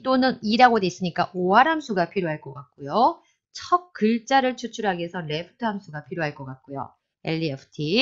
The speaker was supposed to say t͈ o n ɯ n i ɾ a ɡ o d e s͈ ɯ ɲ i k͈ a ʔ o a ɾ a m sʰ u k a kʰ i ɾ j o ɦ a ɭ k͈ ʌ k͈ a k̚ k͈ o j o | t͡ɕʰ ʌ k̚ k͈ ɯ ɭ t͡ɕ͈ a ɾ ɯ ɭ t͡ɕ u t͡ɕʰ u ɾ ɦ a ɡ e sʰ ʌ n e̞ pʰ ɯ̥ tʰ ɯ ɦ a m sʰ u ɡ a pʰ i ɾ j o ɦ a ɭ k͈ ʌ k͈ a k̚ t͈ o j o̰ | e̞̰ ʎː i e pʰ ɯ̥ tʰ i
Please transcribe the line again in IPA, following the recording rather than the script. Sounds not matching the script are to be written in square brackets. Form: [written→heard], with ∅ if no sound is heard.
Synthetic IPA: t͈ o n ɯ n i ɾ a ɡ o d e s͈ ɯ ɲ i k͈ a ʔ o a ɾ a m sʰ u [k→ɡ] a [kʰ→pʰ] i ɾ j o ɦ a ɭ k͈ ʌ k͈ a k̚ k͈ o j o | t͡ɕʰ ʌ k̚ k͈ ɯ ɭ t͡ɕ͈ a ɾ ɯ ɭ [t͡ɕ→t͡ɕʰ] u t͡ɕʰ u ɾ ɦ a ɡ e sʰ ʌ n e̞ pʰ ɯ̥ tʰ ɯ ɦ a m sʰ u ɡ a pʰ i ɾ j o ɦ a ɭ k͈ ʌ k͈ a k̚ [t͈→k͈] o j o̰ | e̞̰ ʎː i e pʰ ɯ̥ tʰ i